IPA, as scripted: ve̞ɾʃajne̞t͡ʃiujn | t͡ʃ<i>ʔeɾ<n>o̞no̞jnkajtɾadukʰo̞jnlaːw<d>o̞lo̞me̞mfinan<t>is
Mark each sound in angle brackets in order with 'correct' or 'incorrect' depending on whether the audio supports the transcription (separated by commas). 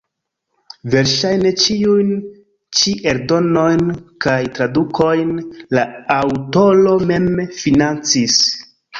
correct, incorrect, incorrect, incorrect